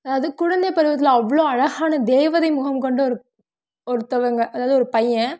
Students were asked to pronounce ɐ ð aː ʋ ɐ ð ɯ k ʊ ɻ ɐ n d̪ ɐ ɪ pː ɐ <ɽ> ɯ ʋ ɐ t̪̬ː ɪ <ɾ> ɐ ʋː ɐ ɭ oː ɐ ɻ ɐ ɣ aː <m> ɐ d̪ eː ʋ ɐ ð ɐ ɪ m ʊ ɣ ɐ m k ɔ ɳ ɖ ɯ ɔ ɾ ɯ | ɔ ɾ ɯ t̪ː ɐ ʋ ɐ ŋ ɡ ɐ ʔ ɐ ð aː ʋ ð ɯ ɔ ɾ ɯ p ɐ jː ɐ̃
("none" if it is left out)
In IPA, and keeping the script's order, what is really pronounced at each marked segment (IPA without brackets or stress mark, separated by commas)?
ɾ, l, n